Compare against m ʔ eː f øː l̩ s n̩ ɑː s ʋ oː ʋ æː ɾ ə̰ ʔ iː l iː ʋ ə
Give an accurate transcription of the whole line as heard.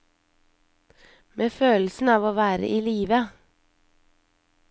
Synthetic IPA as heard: m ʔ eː f øː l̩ s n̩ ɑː ʋ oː ʋ æː ɾ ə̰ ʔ iː l iː ʋ ə